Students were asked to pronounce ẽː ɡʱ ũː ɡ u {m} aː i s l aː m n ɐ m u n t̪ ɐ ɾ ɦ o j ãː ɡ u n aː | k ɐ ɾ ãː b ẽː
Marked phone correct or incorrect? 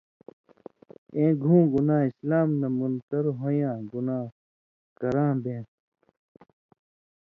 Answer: incorrect